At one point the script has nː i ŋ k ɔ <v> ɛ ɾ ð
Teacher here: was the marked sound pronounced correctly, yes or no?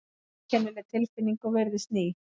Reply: yes